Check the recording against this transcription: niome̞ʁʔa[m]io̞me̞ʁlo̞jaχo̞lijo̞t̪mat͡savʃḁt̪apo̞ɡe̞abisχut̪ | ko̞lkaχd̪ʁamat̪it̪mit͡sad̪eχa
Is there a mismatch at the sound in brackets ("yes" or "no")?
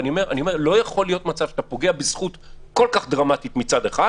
yes